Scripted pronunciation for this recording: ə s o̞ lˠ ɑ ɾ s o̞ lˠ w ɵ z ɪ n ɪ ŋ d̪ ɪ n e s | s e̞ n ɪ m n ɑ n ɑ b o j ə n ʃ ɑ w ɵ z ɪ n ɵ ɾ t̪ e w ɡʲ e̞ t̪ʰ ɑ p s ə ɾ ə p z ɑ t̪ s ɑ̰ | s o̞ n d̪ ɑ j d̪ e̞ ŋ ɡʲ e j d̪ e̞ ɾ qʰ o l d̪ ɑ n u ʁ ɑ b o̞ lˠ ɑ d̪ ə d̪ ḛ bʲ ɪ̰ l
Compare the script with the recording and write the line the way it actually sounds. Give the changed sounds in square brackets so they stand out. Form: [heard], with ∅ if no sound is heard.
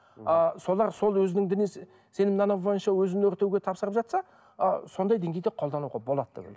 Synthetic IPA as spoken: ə s o̞ lˠ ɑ ɾ s o̞ lˠ w ɵ z ɪ n ɪ ŋ d̪ ɪ n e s | s e̞ n ɪ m n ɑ n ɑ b o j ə n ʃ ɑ w ɵ z ɪ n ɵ ɾ t̪ e w ɡʲ e̞ t̪ʰ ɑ p s ə ɾ ə p [ʒ] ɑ t̪ s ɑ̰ | s o̞ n d̪ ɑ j d̪ e̞ ŋ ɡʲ e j d̪ e̞ [∅] qʰ o l d̪ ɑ n u ʁ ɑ b o̞ lˠ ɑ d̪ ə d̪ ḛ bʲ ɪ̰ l